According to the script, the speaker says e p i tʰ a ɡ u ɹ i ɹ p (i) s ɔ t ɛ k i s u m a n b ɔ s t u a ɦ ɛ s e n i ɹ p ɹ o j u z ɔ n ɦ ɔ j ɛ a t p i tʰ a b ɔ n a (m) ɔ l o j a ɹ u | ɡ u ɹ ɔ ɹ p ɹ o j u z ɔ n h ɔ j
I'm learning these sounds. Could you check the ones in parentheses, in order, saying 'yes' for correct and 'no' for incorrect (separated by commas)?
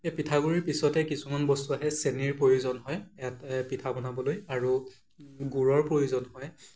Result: yes, no